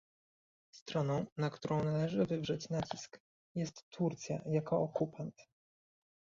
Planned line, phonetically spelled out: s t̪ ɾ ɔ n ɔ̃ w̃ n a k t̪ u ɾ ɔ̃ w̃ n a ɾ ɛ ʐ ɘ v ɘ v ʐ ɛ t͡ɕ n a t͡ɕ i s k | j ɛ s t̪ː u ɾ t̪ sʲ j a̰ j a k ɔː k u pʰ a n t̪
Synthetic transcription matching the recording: s t̪ ɾ ɔ n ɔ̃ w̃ n a k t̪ u ɾ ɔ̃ w̃ n a l ɛ ʐ ɘ v ɘ v ʐ ɛ t͡ɕ n a t͡ɕ i s k | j ɛ s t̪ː u ɾ t̪ sʲ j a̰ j a k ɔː k u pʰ a n t̪